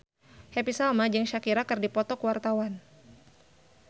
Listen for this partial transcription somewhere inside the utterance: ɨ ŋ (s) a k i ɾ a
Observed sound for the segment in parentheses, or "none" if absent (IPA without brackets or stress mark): ʃ